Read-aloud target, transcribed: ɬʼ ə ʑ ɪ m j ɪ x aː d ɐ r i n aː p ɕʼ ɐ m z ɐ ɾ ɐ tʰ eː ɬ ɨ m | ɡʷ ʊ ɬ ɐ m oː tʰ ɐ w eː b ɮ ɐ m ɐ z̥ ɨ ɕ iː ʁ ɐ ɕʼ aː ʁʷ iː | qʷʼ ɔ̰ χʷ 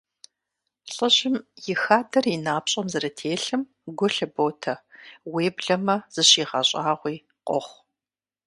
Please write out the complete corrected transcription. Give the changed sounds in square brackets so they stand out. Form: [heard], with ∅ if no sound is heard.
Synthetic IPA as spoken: ɬʼ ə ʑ ɪ m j ɪ x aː d ɐ r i n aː p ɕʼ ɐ m z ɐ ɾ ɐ tʰ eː ɬ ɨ m | ɡʷ ʊ ɬ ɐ [b] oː tʰ ɐ w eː b ɮ ɐ m ɐ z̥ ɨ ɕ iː ʁ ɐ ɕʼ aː ʁʷ iː | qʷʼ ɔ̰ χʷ